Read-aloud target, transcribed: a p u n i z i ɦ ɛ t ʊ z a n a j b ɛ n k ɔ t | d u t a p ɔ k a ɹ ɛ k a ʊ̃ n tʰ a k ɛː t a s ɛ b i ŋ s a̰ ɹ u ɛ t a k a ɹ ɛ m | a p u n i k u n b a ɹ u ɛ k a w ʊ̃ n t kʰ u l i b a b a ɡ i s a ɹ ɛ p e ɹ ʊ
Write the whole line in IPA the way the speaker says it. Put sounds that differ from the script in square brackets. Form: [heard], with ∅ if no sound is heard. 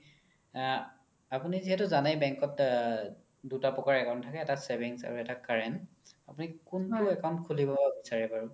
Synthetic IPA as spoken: a p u n i z i ɦ ɛ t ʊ z a n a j b ɛ [ŋ] k ɔ t | d u t a p ɔ k a ɹ ɛ k a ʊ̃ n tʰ a k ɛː t a s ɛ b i ŋ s a̰ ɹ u ɛ t a k a ɹ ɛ [n] | a p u n i k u n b a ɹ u ɛ k a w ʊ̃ n t kʰ u l i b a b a [b] i s a ɹ ɛ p [a] ɹ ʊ

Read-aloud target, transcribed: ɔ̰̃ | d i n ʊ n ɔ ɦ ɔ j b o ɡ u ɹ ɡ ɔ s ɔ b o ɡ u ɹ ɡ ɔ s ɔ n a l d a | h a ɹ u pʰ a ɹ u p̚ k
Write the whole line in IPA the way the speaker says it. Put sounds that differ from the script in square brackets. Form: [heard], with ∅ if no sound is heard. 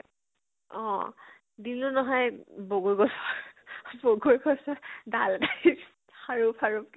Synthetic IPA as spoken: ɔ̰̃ | d i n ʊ n ɔ ɦ ɔ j b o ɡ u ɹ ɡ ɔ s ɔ b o ɡ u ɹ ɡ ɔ s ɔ [d] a l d a | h a ɹ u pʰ a ɹ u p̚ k

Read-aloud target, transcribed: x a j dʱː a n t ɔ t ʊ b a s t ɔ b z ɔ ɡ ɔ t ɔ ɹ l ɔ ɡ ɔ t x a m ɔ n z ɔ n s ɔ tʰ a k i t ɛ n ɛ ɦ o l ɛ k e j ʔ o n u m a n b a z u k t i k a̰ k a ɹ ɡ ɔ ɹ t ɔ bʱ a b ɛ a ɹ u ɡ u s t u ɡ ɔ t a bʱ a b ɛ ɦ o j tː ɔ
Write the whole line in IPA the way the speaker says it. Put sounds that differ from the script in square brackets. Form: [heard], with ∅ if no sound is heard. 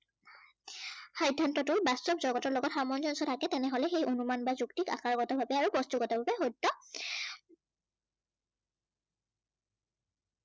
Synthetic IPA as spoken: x a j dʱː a n t ɔ t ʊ b a s t ɔ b z ɔ ɡ ɔ t ɔ ɹ l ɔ ɡ ɔ t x a m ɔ n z ɔ n s ɔ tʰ a k [ɛ] t ɛ n ɛ ɦ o l ɛ [x] e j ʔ o n u m a n b a z u k t i k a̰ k a ɹ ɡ ɔ [∅] t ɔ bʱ a b ɛ a ɹ u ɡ [ɔ] s t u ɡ ɔ t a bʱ a b ɛ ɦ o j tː ɔ

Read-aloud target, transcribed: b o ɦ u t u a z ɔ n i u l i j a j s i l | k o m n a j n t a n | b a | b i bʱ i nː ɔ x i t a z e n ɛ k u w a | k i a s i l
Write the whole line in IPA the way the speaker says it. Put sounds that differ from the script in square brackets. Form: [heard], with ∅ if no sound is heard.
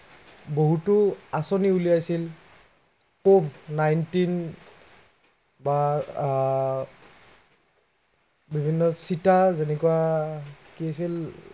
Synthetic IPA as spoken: b o ɦ u t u a [s] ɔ n i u l i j a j s i l | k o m n a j n t [i] n | b a | b i bʱ i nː ɔ [s] i t a z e n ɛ k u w a | k i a s i l

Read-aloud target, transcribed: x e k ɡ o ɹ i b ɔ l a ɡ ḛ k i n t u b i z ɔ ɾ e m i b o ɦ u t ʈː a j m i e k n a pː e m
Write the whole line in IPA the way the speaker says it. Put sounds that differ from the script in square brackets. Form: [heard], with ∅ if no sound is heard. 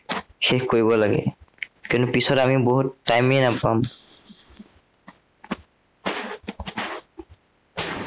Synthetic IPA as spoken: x e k [k] o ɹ i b ɔ l a ɡ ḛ k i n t u [p] i [s] ɔ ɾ [a] m i b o ɦ u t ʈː a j m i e [∅] n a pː [a] m

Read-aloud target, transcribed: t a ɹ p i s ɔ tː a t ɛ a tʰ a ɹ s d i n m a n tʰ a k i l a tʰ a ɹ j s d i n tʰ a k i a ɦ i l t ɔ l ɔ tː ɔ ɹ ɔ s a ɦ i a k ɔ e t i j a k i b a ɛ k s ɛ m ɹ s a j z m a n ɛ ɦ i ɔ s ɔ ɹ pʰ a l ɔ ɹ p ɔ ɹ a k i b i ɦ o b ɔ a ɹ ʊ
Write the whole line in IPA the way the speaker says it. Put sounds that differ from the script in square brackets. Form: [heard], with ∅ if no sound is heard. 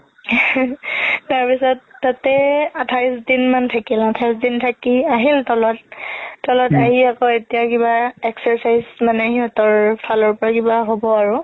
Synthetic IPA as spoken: t a ɹ p i s ɔ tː a t ɛ a tʰ a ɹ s d i n m a n tʰ a k i l a tʰ a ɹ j s d i n tʰ a k i a ɦ i l t ɔ l ɔ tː ɔ [l] ɔ [t] a ɦ i a k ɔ e t i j a k i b a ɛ k s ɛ [∅] ɹ s a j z m a n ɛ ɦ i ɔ [t] ɔ ɹ pʰ a l ɔ ɹ p ɔ ɹ a k i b [a] ɦ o b ɔ a ɹ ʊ

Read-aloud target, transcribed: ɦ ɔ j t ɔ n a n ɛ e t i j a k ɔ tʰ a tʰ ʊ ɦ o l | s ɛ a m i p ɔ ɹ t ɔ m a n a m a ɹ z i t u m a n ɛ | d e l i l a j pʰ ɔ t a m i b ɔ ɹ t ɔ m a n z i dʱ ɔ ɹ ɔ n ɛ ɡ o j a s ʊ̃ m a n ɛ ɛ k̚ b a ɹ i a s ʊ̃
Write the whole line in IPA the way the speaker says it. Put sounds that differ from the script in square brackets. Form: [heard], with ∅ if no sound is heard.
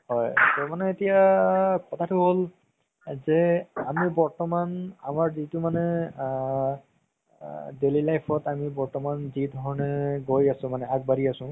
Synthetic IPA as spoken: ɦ ɔ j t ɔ [m] a n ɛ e t i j a k ɔ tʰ a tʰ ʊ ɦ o l | [z] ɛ a m i [b] ɔ ɹ t ɔ m a n a m a ɹ z i t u m a n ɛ | d e l i l a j pʰ ɔ t a m i b ɔ ɹ t ɔ m a n z i dʱ ɔ ɹ ɔ n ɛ ɡ o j a s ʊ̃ m a n ɛ [a] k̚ b a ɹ i a s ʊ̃

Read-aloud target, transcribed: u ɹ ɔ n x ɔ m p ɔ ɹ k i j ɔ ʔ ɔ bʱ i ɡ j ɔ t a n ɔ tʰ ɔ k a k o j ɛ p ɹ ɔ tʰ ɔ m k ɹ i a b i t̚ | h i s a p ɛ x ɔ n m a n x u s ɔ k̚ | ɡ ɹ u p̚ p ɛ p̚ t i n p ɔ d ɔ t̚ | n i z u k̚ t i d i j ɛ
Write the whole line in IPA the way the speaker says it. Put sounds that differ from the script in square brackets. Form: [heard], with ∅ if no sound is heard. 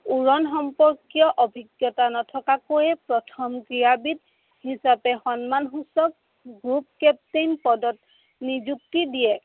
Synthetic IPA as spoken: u ɹ ɔ n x ɔ m p ɔ ɹ k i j ɔ ʔ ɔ bʱ i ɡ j ɔ t a n ɔ tʰ ɔ k a k o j ɛ p ɹ ɔ tʰ ɔ m k ɹ i a b i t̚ | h i s a p ɛ x ɔ n m a n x u s ɔ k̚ | ɡ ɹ u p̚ [k] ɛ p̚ t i n p ɔ d ɔ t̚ | n i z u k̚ t i d i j ɛ

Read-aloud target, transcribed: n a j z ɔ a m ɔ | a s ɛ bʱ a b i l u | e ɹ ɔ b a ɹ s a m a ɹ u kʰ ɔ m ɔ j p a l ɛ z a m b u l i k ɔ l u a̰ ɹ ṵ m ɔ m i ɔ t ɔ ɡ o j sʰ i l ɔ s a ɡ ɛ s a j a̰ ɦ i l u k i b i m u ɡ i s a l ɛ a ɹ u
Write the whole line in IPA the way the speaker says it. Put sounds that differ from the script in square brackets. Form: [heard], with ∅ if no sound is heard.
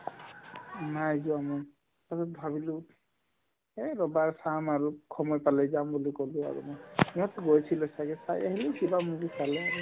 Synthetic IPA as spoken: n a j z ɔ a m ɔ | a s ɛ bʱ a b i l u | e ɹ ɔ b a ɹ s a m a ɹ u kʰ ɔ m ɔ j p a l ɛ z a m b u l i k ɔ l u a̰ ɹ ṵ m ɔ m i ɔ t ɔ ɡ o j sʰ i l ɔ s a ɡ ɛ s a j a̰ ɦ i l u k i b [a] m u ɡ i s a l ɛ a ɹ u

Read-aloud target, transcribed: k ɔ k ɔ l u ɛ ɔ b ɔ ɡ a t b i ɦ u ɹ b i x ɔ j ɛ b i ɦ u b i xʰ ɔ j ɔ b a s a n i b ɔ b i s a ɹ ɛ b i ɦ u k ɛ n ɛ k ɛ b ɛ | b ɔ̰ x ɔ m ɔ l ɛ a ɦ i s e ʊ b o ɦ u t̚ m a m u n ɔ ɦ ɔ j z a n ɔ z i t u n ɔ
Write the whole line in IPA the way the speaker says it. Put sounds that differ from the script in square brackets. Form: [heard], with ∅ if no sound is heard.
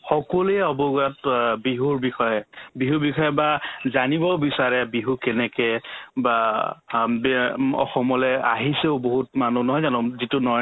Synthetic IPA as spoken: [x] ɔ k ɔ l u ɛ ɔ b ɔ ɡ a t b i ɦ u ɹ b i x ɔ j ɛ b i ɦ u b i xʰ ɔ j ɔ b a [z] a n i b ɔ b i s a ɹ ɛ b i ɦ u k ɛ n ɛ k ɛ b [a] | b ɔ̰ x ɔ m ɔ l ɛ a ɦ i s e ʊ b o ɦ u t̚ m a [n] u n ɔ ɦ ɔ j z a n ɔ z i t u n ɔ

